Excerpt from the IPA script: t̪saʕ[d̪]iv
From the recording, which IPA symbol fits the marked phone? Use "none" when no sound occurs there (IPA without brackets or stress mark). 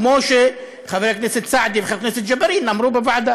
d̪